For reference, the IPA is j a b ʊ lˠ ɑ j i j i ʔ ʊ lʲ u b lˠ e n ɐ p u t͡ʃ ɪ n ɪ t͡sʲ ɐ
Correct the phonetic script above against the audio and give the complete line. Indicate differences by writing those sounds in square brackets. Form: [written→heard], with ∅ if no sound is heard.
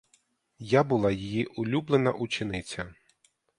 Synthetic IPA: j a b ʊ lˠ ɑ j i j i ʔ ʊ lʲ u b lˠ e n ɐ [p→ʔ] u t͡ʃ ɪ n ɪ t͡sʲ ɐ